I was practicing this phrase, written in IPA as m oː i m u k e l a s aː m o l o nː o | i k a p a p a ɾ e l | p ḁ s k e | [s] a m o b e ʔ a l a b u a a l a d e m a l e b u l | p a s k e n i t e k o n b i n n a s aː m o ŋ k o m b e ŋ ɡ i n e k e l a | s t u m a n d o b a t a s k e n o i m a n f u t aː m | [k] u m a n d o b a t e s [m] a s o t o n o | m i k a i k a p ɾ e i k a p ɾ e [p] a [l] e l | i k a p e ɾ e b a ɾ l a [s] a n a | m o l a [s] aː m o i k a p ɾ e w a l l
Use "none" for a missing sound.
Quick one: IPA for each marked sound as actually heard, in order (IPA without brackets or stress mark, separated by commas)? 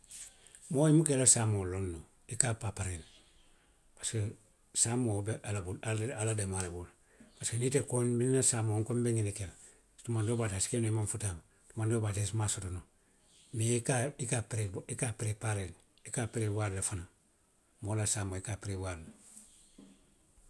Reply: s, t, m, p, ɾ, f, s